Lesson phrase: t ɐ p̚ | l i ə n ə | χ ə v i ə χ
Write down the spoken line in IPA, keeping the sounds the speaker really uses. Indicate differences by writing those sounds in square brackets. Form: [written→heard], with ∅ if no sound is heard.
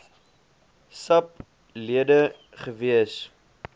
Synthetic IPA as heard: [t→s] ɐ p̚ | l i ə [n→d] ə | χ ə v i ə [χ→s]